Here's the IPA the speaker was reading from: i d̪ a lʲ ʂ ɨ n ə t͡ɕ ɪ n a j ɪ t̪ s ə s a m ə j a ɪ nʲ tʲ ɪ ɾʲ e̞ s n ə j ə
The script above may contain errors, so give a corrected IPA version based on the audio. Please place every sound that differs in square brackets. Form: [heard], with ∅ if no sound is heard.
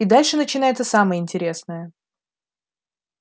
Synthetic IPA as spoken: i d̪ a lʲ ʂ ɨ n ə t͡ɕ ɪ n a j ɪ t̪ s ə s a m ə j [ə] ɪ nʲ tʲ ɪ ɾʲ e̞ s n ə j ə